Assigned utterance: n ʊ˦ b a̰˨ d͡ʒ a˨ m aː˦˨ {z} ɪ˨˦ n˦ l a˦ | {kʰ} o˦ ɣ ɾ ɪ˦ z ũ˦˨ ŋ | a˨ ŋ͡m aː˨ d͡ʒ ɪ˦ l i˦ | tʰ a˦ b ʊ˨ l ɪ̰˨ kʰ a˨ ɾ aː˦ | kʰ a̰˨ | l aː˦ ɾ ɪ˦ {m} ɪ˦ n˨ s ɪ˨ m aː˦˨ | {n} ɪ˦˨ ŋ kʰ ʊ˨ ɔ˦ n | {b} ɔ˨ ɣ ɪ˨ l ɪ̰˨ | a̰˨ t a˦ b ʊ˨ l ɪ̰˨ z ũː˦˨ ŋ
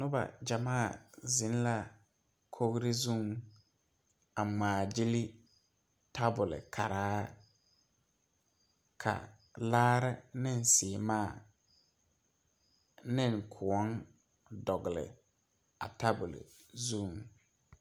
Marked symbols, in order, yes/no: yes, yes, no, yes, no

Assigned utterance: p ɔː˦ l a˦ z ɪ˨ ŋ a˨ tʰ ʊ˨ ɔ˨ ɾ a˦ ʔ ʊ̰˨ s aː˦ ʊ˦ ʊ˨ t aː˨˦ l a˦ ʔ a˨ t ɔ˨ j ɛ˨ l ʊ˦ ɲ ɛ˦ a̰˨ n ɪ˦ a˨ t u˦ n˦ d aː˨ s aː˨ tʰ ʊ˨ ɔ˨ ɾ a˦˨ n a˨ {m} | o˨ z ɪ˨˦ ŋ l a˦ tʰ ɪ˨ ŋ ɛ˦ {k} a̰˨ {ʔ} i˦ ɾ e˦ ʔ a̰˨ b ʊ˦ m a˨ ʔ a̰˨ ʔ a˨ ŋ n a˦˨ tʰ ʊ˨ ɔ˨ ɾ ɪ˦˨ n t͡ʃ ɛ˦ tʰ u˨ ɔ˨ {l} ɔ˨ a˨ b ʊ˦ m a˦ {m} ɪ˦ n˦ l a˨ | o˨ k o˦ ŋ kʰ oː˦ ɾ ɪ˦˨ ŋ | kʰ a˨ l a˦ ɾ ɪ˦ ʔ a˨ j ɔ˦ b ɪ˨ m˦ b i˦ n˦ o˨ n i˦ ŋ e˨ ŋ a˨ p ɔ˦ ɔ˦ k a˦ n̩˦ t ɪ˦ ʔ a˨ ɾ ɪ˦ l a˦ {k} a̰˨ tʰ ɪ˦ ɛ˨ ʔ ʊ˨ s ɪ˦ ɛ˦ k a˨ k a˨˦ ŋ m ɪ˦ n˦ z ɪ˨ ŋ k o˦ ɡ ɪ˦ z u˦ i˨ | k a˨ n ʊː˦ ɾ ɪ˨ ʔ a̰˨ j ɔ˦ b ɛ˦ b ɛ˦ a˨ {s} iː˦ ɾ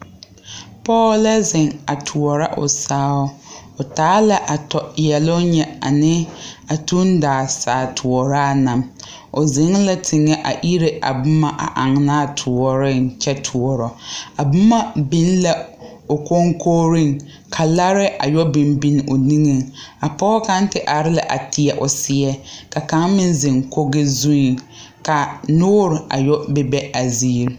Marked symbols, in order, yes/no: yes, no, yes, no, no, no, no

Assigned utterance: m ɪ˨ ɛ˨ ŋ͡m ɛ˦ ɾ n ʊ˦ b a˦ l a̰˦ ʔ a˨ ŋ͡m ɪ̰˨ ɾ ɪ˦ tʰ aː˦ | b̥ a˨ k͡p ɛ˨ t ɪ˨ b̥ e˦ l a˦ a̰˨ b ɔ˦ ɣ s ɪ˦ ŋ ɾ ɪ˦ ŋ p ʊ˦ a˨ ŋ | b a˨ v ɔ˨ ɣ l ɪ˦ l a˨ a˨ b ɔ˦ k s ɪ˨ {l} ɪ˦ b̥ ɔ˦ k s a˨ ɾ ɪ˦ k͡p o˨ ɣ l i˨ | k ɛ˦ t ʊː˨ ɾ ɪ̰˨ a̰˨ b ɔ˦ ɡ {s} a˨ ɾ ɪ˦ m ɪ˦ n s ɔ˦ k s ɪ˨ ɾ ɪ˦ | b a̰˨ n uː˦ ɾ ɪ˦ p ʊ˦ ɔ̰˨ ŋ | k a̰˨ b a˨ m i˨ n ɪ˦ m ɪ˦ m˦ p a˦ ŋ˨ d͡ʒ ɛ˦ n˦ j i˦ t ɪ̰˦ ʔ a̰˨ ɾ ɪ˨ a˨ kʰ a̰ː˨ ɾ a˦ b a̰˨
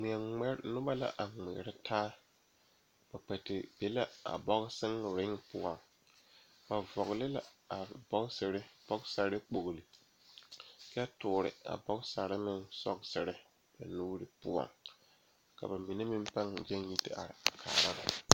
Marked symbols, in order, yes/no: no, yes

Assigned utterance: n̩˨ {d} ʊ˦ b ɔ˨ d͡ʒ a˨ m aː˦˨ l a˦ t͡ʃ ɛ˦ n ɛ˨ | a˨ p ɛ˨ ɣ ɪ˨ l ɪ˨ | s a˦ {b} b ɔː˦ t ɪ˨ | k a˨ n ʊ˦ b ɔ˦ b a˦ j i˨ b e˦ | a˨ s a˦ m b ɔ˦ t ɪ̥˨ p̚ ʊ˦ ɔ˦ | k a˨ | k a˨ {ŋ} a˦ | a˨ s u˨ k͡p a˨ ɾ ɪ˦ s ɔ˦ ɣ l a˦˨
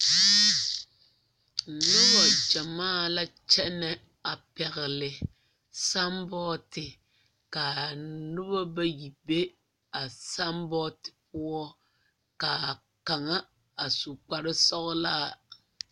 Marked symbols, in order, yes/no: no, no, yes

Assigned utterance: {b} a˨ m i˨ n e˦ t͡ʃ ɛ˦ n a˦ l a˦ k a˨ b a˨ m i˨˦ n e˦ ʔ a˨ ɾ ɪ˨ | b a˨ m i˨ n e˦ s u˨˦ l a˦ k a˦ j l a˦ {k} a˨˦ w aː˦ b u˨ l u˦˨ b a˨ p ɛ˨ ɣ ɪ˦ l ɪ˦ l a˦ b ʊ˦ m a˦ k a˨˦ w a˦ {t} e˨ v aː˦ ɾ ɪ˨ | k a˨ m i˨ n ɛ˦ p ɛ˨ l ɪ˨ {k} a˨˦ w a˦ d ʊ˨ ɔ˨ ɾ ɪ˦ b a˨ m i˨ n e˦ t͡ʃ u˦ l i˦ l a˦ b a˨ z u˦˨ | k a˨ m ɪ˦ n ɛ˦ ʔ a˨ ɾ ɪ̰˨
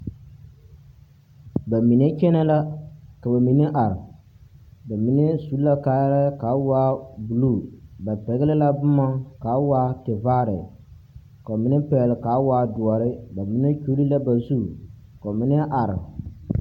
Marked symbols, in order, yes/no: yes, yes, yes, yes

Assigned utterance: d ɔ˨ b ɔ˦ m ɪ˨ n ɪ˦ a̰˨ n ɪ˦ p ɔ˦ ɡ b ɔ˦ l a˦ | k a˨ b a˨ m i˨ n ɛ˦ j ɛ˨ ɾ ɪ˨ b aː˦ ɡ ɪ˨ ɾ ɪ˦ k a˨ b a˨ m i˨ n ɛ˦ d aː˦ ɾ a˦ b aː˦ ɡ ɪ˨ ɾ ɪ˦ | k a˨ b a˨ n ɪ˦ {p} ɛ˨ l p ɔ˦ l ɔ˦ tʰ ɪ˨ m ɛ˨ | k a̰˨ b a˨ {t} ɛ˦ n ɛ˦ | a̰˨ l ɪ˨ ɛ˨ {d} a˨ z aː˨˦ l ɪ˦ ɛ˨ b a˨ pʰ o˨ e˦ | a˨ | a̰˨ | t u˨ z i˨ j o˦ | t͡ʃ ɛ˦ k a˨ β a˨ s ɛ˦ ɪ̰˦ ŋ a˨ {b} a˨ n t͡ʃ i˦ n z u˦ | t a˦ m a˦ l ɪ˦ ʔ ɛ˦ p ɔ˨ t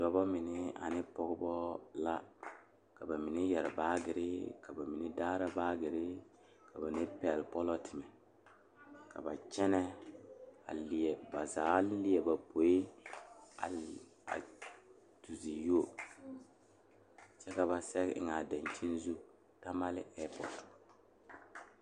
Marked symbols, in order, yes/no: yes, no, no, no

